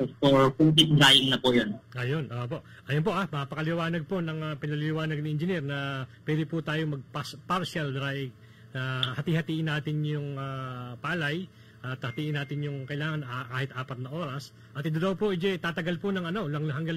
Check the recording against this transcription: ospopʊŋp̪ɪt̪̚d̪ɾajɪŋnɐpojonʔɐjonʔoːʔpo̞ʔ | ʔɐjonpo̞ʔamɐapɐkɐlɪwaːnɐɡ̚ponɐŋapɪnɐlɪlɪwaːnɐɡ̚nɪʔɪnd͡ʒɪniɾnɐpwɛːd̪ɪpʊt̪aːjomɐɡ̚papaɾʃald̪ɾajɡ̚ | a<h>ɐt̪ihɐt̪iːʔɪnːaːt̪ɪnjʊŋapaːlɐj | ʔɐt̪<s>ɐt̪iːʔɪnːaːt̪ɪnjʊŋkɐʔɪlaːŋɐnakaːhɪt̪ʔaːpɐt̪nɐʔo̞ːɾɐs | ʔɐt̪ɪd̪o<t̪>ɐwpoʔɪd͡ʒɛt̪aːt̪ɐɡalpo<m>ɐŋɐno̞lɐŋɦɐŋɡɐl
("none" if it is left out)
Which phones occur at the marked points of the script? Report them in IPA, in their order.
h, h, d̪, n

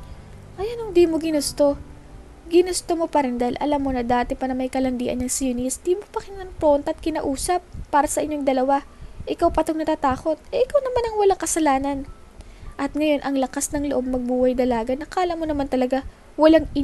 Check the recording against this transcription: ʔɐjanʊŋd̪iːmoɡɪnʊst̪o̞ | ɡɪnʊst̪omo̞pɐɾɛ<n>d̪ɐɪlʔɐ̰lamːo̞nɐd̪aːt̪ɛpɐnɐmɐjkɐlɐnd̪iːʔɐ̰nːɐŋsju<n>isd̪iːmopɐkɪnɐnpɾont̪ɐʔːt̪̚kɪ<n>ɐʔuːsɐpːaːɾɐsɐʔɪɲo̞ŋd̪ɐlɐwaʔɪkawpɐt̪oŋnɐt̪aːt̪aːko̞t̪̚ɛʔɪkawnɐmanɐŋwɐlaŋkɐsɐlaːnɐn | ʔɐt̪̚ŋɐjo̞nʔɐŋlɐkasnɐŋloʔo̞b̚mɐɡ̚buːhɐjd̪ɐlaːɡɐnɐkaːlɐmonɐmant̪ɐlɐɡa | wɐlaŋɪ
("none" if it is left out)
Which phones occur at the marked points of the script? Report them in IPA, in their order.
n, n, n

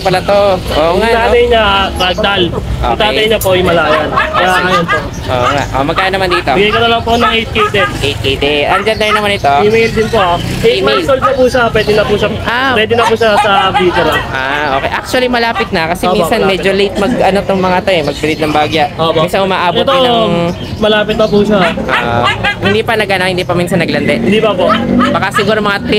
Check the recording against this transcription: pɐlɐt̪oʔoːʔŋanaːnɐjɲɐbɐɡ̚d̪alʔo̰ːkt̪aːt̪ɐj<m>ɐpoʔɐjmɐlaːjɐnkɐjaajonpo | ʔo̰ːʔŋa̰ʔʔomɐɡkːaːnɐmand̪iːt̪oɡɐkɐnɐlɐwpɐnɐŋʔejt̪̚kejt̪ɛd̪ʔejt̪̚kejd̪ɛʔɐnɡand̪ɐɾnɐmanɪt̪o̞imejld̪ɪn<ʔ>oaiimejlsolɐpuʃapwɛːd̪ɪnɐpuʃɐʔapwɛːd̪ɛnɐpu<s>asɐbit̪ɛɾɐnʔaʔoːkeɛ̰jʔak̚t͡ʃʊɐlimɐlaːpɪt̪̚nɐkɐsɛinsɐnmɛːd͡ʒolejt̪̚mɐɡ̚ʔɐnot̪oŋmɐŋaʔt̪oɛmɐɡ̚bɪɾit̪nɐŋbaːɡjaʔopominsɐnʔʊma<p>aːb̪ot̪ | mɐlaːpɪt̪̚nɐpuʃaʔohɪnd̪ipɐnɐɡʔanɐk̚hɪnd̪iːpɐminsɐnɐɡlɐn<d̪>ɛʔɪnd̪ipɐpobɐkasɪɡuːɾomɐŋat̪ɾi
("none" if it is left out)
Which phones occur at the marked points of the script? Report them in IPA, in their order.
ɲ, p, ʃ, ʔ, d̪

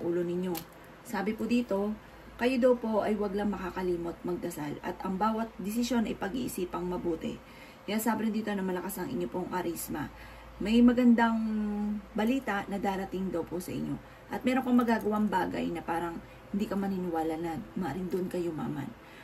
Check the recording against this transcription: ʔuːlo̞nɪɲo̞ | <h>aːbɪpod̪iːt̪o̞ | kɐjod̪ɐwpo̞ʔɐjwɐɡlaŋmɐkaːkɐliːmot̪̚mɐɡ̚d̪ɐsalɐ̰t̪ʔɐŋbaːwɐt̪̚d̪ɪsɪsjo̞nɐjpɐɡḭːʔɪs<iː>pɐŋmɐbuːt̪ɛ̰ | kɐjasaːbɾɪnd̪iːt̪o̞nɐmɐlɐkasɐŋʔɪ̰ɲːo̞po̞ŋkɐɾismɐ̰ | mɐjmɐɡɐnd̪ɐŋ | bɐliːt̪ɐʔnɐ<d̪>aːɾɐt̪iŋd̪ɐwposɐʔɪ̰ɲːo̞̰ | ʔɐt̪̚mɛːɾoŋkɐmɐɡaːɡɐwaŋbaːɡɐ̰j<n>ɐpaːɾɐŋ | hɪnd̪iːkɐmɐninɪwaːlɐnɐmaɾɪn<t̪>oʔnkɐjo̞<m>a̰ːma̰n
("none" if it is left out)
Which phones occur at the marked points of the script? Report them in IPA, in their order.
s, iː, d̪, n, d̪, m

